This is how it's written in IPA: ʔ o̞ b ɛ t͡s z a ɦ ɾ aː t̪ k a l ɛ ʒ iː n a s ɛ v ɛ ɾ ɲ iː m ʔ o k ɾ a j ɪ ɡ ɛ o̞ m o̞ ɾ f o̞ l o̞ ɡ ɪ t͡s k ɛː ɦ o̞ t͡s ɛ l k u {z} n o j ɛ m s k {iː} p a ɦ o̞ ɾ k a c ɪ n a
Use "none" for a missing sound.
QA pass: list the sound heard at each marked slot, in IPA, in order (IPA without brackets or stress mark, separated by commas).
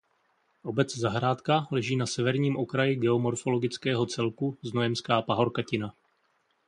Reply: z, aː